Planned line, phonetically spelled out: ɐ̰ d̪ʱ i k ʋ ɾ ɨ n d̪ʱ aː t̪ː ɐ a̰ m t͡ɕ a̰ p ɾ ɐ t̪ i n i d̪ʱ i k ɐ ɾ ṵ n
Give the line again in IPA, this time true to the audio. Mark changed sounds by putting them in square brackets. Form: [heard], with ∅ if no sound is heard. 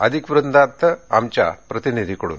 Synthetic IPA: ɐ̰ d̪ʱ i k ʋ ɾ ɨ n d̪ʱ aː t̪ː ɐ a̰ m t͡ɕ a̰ p ɾ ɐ t̪ i n i d̪ʱ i k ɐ [ɽ] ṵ n